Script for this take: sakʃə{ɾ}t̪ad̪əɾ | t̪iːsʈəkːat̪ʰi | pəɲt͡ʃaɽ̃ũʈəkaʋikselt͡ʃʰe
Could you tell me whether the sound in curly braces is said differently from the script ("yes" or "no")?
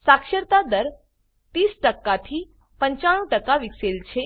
no